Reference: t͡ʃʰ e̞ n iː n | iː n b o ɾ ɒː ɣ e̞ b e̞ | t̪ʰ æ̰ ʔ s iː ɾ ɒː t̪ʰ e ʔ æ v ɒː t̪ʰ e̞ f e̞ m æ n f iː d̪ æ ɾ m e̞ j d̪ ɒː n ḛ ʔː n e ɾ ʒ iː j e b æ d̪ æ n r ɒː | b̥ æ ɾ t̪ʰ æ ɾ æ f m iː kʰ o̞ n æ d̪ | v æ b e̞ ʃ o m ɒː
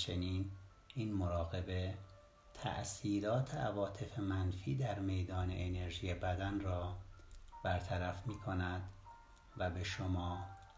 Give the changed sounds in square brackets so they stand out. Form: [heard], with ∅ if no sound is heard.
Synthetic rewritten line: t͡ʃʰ e̞ n iː n | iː n [m] o ɾ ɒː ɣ e̞ b e̞ | t̪ʰ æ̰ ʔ s iː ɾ ɒː t̪ʰ e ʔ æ v ɒː t̪ʰ e̞ f e̞ m æ n f iː d̪ æ ɾ m e̞ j d̪ ɒː n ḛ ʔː n e ɾ ʒ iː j e b æ d̪ æ n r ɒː | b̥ æ ɾ t̪ʰ æ ɾ æ f m iː kʰ o̞ n æ d̪ | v æ b e̞ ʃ o m ɒː